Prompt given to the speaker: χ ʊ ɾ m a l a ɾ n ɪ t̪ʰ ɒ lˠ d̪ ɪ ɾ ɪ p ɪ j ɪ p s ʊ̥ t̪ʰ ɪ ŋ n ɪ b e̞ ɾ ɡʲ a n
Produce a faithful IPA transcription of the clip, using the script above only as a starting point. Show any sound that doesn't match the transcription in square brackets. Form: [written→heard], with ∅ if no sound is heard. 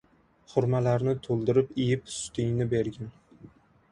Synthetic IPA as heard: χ ʊ ɾ m a l a ɾ n ɪ t̪ʰ [ɒ→o] lˠ d̪ ɪ ɾ ɪ p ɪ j ɪ p s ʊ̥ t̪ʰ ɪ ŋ n ɪ b e̞ ɾ ɡʲ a n

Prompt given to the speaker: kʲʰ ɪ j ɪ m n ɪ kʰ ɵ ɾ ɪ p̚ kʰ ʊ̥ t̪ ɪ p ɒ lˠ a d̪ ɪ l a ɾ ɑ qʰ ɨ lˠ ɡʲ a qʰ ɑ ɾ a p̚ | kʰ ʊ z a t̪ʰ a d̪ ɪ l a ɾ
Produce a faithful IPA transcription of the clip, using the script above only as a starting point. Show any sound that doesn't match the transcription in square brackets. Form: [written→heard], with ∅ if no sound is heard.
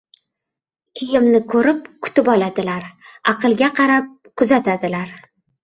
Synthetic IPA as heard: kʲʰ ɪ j ɪ m n ɪ kʰ ɵ ɾ ɪ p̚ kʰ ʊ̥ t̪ ɪ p ɒ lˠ a d̪ ɪ l a ɾ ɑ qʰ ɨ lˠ ɡʲ a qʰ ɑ ɾ a p̚ | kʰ ʊ z a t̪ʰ a d̪ ɪ l a ɾ

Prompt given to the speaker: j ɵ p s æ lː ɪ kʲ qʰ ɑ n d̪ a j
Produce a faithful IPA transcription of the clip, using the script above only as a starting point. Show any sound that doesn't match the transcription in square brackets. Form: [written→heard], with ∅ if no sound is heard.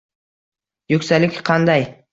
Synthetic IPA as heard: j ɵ [p→k] s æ [lː→l] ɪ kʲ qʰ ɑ n d̪ [a→ɑ] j

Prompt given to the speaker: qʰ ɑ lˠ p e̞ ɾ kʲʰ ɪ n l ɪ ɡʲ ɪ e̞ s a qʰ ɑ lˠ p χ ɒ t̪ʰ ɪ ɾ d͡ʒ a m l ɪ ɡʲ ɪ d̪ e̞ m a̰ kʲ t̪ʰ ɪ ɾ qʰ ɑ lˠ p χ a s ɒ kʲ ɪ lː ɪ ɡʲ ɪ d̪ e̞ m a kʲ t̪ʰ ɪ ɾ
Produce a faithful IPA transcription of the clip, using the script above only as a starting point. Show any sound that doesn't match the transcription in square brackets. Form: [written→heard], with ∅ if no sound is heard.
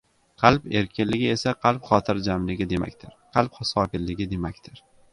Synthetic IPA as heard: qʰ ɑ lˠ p e̞ ɾ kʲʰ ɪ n l ɪ ɡʲ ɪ e̞ s a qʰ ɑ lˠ p χ ɒ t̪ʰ ɪ ɾ d͡ʒ a m l ɪ ɡʲ ɪ d̪ e̞ m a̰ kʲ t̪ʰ ɪ ɾ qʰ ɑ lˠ p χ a s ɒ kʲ ɪ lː ɪ ɡʲ ɪ d̪ e̞ m a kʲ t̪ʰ ɪ ɾ

